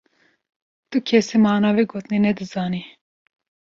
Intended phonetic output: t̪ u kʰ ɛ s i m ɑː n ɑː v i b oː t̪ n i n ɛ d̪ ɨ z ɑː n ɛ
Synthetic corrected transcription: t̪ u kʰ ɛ s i m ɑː n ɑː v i ɡ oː t̪ n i n ɛ d̪ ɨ z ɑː n i